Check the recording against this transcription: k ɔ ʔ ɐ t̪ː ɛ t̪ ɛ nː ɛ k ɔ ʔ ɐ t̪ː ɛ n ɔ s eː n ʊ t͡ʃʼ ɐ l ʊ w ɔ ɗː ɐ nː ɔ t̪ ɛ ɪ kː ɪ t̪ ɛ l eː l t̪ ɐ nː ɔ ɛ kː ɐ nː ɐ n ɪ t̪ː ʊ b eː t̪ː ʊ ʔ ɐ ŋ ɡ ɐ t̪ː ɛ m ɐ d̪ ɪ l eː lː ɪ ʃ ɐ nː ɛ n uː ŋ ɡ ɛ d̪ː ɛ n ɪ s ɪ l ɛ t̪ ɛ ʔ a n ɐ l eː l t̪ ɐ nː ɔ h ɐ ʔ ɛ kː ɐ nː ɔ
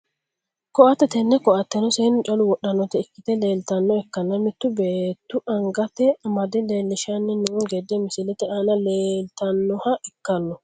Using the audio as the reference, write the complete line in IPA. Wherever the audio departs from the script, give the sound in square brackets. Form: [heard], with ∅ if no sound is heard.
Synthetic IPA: k ɔ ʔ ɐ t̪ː ɛ t̪ ɛ nː ɛ k ɔ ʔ ɐ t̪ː ɛ n ɔ s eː n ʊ t͡ʃʼ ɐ l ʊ w ɔ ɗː ɐ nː ɔ t̪ ɛ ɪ kː ɪ t̪ ɛ l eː l t̪ ɐ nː ɔ ɛ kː ɐ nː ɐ [m] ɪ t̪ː ʊ b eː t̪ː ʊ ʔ ɐ ŋ ɡ ɐ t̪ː ɛ m ɐ d̪ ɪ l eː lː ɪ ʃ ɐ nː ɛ n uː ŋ ɡ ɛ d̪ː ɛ [m] ɪ s ɪ l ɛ t̪ ɛ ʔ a n ɐ l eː l t̪ ɐ nː ɔ h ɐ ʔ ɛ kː ɐ nː ɔ